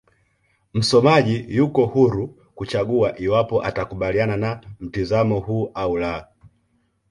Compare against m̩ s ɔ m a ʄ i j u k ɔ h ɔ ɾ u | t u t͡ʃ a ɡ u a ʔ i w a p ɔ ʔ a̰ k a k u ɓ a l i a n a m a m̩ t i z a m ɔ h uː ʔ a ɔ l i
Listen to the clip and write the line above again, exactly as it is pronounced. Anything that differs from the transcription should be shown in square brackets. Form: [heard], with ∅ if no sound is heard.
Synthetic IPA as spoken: m̩ s ɔ m a ʄ i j u k ɔ h [u] ɾ u | [k] u t͡ʃ a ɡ u a ʔ i w a p ɔ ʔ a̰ [t] a k u ɓ a l i a n a [n] a m̩ t i z a m ɔ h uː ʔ a [u] l [a]